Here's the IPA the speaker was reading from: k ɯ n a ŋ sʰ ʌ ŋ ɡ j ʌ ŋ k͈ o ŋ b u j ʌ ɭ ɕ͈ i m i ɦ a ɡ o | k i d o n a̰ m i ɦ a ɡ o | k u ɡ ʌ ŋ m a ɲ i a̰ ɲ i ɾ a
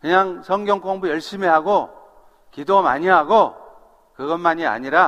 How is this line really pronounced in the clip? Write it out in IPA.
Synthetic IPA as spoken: k ɯ ɲ a ŋ sʰ ʌ ŋ ɡ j ʌ ŋ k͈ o ŋ b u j ʌ ɭ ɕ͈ i m i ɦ a ɡ o | k i d o m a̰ ɲ i ɦ a ɡ o | k ɯ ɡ ʌ n m a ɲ i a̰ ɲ i ɾ a